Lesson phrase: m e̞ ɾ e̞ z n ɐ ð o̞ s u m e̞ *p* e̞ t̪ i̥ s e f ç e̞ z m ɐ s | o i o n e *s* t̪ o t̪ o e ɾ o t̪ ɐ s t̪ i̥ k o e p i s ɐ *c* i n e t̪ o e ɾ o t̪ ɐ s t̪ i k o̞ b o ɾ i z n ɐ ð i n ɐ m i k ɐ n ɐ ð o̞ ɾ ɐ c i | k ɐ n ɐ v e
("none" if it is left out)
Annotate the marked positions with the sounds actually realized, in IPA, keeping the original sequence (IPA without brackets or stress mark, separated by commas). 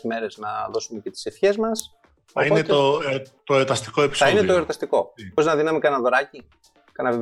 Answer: c, none, none